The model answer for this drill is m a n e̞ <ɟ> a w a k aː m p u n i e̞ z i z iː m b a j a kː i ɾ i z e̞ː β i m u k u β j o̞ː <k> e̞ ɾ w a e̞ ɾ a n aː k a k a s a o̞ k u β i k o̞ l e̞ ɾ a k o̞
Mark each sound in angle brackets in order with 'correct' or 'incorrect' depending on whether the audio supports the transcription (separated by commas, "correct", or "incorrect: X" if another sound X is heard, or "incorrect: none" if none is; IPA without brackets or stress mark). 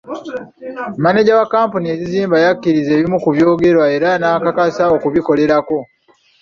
correct, incorrect: ɡ